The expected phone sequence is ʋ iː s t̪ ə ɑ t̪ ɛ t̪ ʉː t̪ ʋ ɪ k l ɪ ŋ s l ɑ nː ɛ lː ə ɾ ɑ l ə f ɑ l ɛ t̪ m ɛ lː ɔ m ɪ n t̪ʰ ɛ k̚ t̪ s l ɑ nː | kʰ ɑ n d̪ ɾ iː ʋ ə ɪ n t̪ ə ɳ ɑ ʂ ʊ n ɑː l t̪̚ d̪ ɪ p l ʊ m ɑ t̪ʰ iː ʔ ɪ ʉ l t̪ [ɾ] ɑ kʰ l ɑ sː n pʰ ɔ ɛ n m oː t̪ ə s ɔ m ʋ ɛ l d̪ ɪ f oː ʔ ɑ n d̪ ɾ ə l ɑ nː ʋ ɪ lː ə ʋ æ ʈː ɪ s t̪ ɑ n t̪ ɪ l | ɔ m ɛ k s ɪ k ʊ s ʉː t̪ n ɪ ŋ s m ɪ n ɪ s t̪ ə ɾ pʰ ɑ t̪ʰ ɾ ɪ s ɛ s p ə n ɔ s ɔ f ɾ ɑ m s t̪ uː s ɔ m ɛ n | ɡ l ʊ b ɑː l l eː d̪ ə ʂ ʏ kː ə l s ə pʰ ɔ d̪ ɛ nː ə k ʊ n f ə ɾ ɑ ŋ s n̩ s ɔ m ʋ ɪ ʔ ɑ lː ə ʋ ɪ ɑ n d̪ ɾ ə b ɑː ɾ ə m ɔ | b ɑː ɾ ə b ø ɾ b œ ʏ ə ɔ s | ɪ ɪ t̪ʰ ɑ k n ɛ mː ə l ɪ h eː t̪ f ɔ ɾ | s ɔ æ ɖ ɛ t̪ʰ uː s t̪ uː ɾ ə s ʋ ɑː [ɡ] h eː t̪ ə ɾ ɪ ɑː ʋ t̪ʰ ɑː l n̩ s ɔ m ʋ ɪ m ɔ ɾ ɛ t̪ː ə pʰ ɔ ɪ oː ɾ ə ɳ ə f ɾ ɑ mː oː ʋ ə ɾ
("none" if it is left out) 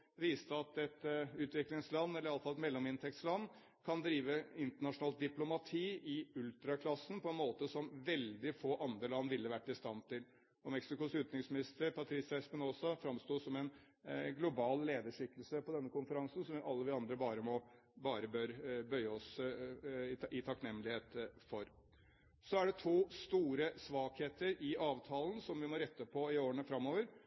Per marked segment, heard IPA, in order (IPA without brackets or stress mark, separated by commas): ɾ, k